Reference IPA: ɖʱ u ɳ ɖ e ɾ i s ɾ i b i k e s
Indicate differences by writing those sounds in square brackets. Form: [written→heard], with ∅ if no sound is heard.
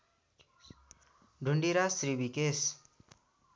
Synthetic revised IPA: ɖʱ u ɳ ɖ [e→i] ɾ [i→a] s ɾ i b i k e s